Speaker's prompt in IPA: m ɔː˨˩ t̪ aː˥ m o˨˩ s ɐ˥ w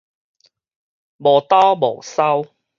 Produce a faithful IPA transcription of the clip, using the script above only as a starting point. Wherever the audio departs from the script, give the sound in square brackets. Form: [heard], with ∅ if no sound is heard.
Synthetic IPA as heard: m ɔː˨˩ t̪ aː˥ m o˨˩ s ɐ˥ w